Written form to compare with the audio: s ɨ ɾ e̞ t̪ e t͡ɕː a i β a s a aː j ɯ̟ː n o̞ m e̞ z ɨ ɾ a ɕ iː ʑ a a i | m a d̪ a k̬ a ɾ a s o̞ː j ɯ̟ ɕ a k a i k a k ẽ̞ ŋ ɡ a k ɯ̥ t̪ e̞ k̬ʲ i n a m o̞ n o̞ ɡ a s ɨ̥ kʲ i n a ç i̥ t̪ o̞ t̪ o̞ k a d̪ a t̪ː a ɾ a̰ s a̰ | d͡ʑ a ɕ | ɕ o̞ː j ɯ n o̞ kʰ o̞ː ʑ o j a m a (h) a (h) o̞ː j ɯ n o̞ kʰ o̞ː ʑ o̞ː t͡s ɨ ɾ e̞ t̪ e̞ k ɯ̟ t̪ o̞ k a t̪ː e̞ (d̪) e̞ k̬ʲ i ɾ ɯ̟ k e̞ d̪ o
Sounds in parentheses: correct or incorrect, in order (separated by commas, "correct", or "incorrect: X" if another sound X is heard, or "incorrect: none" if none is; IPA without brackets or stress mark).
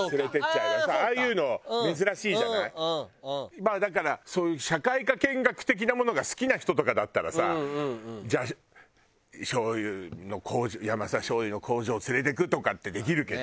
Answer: incorrect: s, incorrect: ɕ, correct